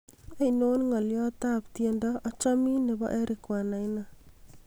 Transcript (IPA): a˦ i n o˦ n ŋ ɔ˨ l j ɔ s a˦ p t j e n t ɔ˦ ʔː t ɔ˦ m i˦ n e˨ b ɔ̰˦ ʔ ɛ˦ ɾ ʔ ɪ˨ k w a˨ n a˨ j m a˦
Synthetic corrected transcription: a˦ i n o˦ n ŋ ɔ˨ l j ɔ t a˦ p t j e n d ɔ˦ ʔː t͡ʃ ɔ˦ m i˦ n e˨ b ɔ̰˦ ʔ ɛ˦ ɾ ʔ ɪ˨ k w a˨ n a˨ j n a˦